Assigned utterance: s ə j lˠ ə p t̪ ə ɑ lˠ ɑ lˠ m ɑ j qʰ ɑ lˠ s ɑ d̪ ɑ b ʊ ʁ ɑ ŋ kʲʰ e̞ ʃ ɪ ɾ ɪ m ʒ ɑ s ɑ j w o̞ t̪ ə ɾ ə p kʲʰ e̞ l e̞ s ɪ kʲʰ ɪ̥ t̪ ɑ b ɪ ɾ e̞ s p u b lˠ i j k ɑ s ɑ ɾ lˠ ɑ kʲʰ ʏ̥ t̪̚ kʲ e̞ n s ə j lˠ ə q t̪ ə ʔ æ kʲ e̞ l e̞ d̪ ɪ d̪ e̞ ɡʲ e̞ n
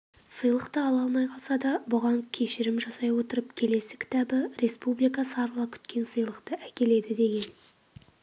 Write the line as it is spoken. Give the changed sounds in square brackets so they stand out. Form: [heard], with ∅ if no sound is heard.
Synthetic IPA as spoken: s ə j lˠ ə [q] t̪ ə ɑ lˠ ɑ lˠ m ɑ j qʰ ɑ lˠ s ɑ d̪ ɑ b ʊ ʁ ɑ ŋ kʲʰ e̞ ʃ ɪ ɾ ɪ m ʒ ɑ s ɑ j w o̞ t̪ ə ɾ ə p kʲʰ e̞ l e̞ s ɪ kʲʰ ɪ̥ t̪ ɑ b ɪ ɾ e̞ s p u b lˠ i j k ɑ s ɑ ɾ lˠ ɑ kʲʰ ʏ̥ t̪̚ kʲ e̞ n s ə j lˠ ə q t̪ ə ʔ æ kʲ e̞ l e̞ d̪ ɪ d̪ e̞ ɡʲ e̞ n

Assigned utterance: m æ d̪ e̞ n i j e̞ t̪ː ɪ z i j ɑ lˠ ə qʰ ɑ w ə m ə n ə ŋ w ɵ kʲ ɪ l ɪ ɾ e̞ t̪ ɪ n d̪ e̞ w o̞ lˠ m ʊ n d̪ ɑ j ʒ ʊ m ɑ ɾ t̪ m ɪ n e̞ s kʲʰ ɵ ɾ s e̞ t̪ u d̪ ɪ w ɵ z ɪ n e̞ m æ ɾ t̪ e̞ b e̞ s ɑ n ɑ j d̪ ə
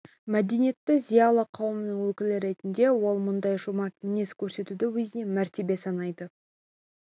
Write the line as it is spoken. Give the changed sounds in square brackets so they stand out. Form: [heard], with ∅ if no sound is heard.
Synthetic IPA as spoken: m æ d̪ e̞ n i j e̞ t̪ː ɪ z i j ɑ lˠ ə qʰ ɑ w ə m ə n ə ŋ w ɵ kʲ ɪ l ɪ ɾ e̞ t̪ ɪ n d̪ e̞ w o̞ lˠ m ʊ n d̪ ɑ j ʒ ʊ m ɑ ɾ t̪ m ɪ n e̞ s kʲʰ ɵ ɾ s e̞ t̪ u d̪ ɪ w ɵ z ɪ n e̞ m æ ɾ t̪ e̞ b e̞ s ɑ n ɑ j d̪ ə

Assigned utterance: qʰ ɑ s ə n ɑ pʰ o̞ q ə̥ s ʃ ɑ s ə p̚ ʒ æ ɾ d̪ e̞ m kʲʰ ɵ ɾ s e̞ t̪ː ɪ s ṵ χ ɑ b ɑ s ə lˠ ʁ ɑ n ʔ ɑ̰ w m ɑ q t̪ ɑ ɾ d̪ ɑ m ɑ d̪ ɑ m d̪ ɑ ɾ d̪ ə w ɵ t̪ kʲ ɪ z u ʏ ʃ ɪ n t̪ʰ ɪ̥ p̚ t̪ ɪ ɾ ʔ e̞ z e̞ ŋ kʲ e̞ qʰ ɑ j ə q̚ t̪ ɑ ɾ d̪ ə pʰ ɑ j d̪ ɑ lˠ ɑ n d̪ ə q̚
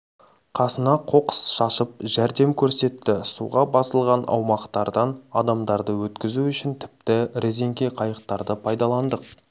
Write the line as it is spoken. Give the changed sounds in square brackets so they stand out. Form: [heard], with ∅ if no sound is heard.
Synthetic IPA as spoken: qʰ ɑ s ə n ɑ [qʰ] o̞ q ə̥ s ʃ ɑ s ə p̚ ʒ æ ɾ d̪ e̞ m kʲʰ ɵ ɾ s e̞ t̪ː ɪ s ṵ [ʁ] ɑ b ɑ s ə lˠ ʁ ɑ n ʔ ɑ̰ w m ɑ q t̪ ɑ ɾ d̪ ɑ [n] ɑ d̪ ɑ m d̪ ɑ ɾ d̪ ə w ɵ t̪ kʲ ɪ z u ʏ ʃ ɪ n t̪ʰ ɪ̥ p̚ t̪ ɪ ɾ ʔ e̞ z e̞ ŋ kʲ e̞ qʰ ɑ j ə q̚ t̪ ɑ ɾ d̪ ə pʰ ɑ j d̪ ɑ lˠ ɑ n d̪ ə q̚

